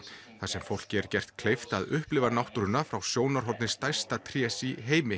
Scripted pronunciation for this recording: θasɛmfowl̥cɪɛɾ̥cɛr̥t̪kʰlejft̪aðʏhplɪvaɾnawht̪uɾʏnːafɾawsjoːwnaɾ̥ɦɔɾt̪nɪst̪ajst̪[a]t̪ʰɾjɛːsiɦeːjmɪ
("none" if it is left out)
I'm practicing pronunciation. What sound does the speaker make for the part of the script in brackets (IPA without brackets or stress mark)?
a